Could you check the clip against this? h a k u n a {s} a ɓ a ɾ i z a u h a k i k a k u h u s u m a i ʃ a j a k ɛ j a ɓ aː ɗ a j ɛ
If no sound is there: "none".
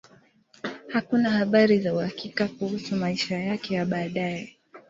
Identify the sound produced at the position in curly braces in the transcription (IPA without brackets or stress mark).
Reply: h